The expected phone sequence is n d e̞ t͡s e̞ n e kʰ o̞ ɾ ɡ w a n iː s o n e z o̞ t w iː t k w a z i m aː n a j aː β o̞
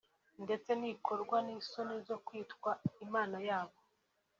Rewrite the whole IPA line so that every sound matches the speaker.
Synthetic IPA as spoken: n d e̞ t͡s e̞ n i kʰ o̞ ɾ ɡ w a n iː s o n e z o̞ k w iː t k w a i m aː n a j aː β o̞